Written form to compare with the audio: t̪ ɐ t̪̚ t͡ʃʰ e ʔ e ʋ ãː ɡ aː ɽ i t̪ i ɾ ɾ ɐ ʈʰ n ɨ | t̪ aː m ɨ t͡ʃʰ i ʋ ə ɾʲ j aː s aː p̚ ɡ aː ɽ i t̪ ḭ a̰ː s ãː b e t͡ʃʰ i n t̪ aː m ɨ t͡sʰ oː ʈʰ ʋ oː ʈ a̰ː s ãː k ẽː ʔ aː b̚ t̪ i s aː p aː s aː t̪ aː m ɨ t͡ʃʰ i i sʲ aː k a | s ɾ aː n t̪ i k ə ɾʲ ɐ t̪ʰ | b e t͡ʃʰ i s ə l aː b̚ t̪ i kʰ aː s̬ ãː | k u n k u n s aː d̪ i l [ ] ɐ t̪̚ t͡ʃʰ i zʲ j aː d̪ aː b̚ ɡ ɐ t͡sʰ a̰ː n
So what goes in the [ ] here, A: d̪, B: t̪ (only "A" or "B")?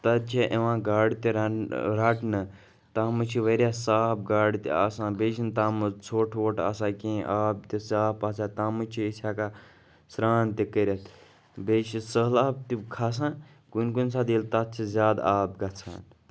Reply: B